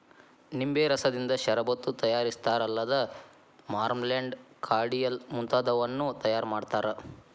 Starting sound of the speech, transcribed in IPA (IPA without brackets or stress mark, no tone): n